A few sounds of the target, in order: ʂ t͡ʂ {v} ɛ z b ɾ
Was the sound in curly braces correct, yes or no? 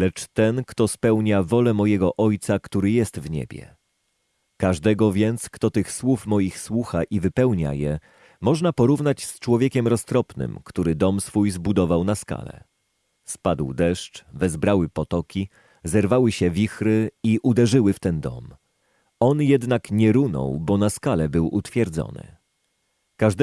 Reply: yes